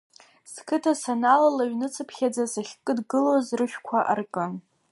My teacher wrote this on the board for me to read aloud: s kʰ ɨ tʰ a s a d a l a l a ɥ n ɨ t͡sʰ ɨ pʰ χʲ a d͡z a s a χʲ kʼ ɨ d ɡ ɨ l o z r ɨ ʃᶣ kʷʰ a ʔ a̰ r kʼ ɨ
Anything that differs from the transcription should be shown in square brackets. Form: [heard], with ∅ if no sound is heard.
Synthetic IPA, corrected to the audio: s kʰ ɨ tʰ a s a [n] a l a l a ɥ n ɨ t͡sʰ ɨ pʰ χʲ a d͡z a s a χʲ kʼ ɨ d ɡ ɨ l o z r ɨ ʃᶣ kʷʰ a ʔ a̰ r kʼ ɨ